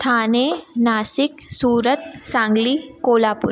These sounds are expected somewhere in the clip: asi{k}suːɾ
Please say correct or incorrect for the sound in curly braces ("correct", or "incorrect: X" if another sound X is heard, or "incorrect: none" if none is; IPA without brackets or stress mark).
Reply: correct